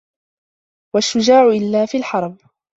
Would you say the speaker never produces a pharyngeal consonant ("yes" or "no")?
no